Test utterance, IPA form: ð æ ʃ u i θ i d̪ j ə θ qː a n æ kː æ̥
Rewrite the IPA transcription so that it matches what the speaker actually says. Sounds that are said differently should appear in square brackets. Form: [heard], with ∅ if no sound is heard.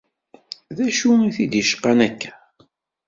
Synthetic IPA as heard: ð æ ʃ u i θ i d̪ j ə [ʃ] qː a n æ kː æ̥